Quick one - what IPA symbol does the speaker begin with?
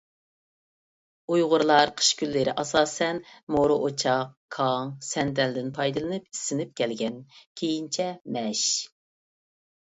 u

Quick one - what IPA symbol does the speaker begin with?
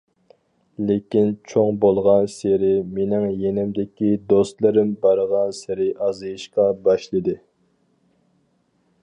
l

